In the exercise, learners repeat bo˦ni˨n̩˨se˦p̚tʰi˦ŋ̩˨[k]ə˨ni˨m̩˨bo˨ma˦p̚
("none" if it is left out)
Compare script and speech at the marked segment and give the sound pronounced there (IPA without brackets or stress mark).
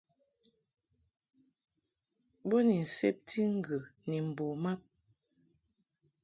ɡ